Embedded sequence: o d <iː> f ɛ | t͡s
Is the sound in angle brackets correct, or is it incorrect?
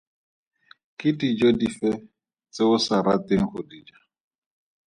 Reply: incorrect